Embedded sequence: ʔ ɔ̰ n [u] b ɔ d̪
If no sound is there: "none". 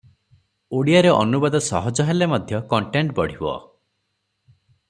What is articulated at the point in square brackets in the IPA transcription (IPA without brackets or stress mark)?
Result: u